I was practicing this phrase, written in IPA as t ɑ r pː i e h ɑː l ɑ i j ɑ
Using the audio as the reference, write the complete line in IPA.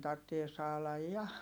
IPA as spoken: t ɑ r tː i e s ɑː l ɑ j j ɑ